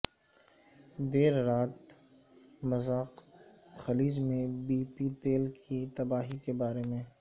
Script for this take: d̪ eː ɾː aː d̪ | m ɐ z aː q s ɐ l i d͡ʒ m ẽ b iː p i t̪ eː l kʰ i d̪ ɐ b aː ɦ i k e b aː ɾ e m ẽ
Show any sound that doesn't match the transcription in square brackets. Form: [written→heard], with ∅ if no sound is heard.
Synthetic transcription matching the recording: d̪ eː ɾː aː [d̪→t̪] | m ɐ z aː q [s→x] ɐ l [i→iː] d͡ʒ m ẽ b iː p i t̪ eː l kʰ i [d̪→t̪] ɐ b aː ɦ i k e b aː ɾ e m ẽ